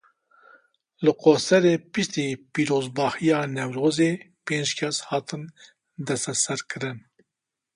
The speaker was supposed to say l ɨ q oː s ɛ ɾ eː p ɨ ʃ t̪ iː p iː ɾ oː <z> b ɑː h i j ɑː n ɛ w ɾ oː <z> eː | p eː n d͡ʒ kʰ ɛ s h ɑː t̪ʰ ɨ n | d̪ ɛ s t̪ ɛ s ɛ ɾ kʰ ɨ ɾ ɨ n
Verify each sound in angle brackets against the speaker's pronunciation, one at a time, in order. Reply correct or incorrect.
correct, correct

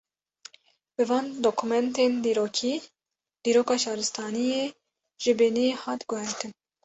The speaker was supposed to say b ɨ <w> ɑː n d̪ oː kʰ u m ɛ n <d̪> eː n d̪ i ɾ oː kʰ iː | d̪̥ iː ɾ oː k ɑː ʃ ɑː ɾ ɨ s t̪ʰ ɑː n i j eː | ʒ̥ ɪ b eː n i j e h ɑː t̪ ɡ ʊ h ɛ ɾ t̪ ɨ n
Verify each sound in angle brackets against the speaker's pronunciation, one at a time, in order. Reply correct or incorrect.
incorrect: v, incorrect: t̪

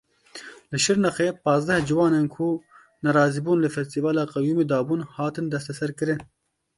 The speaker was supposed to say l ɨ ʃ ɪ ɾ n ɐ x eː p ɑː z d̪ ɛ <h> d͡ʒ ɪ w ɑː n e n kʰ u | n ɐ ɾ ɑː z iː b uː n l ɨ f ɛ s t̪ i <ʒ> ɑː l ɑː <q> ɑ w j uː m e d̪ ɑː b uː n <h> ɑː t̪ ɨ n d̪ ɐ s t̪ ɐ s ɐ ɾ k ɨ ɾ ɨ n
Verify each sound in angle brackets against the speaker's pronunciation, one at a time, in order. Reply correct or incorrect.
correct, incorrect: v, correct, correct

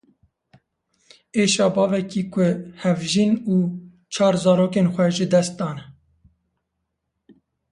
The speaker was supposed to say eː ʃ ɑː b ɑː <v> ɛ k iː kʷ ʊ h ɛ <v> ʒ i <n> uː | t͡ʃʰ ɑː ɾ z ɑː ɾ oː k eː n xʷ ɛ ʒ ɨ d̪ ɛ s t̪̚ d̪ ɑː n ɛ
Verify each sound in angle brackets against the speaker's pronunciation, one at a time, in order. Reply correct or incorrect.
correct, correct, correct

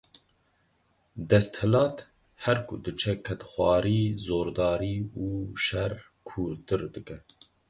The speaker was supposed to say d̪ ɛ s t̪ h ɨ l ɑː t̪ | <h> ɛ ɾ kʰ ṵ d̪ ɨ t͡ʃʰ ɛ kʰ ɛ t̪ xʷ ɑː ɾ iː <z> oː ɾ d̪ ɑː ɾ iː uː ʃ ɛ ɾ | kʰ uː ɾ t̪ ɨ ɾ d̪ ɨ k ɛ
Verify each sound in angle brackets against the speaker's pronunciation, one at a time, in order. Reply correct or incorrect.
correct, correct

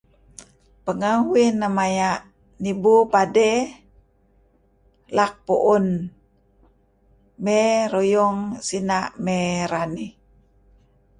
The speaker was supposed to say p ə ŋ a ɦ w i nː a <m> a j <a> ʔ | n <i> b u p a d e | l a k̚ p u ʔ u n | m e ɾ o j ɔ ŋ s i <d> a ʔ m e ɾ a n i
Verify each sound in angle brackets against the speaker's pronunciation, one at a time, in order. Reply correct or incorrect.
correct, correct, correct, incorrect: n

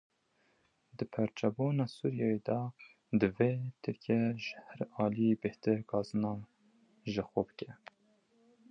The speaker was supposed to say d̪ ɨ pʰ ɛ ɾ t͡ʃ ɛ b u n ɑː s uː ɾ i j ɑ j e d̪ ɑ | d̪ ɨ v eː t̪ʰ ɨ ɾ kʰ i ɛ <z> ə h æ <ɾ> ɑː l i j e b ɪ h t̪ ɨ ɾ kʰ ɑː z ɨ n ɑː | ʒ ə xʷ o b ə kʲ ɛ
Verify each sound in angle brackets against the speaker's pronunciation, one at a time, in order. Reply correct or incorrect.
incorrect: ʒ, correct

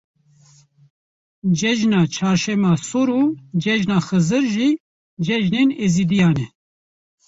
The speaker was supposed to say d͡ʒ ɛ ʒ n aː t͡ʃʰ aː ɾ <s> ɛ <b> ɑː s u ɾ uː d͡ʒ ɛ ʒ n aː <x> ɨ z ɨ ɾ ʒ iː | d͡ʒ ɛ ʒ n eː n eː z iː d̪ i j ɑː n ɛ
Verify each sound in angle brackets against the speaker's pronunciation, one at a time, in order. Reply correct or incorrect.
incorrect: ʃ, incorrect: m, correct

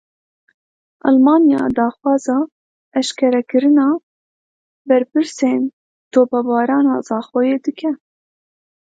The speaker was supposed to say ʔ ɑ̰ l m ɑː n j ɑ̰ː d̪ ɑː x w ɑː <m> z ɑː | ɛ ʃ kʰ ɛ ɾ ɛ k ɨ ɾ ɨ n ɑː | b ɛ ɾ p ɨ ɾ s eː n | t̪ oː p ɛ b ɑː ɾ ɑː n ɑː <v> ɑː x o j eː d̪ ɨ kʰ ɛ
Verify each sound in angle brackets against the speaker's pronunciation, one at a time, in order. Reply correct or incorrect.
incorrect: none, incorrect: z

